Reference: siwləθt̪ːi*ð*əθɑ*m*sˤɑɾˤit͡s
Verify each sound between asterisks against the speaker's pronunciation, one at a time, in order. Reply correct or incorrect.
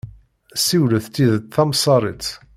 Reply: correct, correct

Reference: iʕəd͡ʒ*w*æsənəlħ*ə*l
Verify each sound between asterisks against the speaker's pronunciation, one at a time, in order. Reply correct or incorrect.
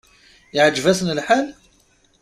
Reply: incorrect: v, incorrect: a

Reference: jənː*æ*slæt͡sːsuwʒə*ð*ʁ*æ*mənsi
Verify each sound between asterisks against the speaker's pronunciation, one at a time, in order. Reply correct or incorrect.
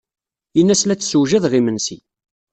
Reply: correct, correct, incorrect: i

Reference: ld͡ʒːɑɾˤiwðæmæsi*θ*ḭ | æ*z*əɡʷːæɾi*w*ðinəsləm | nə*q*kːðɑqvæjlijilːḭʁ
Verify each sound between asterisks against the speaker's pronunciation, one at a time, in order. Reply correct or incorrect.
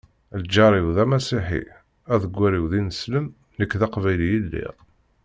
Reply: incorrect: ħ, incorrect: ð, correct, incorrect: none

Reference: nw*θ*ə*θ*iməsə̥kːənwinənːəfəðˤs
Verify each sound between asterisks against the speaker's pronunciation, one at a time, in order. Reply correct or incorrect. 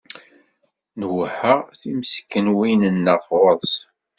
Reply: incorrect: ħ, correct

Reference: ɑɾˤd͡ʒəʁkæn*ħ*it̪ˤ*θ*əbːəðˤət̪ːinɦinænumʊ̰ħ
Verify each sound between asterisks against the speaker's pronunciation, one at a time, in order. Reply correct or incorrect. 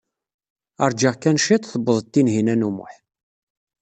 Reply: incorrect: ʃ, correct

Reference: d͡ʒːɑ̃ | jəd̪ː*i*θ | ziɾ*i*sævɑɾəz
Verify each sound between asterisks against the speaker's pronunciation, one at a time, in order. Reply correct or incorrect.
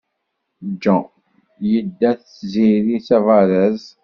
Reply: incorrect: æ, correct

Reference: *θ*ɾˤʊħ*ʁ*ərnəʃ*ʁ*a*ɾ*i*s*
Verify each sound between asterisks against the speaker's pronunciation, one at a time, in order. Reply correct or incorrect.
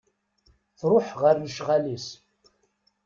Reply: correct, correct, correct, incorrect: l, correct

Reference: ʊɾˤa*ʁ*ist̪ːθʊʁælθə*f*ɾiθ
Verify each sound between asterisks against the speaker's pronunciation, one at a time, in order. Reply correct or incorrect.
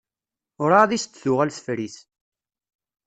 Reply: incorrect: ð, correct

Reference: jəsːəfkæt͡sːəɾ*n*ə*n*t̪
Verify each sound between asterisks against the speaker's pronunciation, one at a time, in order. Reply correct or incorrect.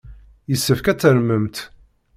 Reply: incorrect: m, incorrect: m

